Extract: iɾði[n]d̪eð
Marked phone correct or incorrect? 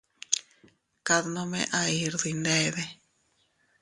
correct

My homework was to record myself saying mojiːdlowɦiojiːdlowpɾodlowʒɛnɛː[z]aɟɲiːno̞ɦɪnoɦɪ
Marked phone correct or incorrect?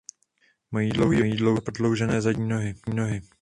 correct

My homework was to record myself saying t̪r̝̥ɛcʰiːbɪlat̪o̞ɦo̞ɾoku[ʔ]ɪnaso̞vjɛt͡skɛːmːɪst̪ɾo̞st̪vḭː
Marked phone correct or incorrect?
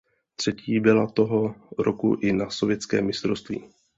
correct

